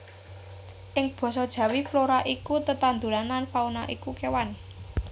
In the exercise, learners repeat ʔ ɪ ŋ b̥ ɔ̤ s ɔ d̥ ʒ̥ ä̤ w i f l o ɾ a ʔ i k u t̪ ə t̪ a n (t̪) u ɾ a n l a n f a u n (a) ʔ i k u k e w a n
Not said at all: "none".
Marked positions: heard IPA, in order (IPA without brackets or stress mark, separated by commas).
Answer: d̪, a